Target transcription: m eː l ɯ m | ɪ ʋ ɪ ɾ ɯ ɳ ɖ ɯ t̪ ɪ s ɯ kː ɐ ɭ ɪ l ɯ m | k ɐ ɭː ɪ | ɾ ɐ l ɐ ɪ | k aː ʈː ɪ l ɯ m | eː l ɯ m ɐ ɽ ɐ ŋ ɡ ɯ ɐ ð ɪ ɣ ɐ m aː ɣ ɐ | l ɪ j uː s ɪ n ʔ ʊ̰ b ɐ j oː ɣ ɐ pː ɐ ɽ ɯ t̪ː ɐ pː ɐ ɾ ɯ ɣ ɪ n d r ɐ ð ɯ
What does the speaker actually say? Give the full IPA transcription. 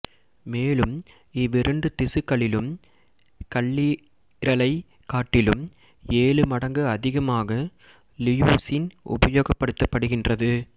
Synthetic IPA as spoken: m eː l ɯ m | ɪ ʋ ɪ ɾ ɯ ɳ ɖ ɯ t̪ ɪ s ɯ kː ɐ ɭ ɪ l ɯ m | k ɐ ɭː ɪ | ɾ ɐ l ɐ ɪ | k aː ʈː ɪ l ɯ m | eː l ɯ m ɐ ɽ ɐ ŋ ɡ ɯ ɐ ð ɪ ɣ ɐ m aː ɣ ɐ | l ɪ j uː s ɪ n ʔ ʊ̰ b ɐ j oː ɣ ɐ pː ɐ ɽ ɯ t̪ː ɐ pː ɐ ɽ ɯ ɣ ɪ n d r ɐ ð ɯ